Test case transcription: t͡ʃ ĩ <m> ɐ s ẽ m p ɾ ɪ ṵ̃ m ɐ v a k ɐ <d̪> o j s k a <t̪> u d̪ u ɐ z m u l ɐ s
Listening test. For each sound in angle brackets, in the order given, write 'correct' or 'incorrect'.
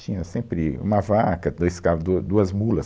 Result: incorrect, correct, incorrect

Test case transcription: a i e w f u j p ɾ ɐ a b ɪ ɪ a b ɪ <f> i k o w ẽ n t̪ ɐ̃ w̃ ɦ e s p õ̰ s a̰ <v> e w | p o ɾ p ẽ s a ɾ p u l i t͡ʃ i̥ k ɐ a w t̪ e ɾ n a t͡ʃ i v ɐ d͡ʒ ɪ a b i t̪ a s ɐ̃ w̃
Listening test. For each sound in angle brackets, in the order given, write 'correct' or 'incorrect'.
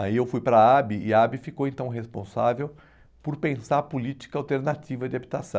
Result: correct, correct

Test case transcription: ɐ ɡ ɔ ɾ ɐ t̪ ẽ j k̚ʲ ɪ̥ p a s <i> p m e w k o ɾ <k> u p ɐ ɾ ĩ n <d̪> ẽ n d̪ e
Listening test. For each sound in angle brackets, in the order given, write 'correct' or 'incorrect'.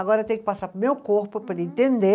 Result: incorrect, incorrect, incorrect

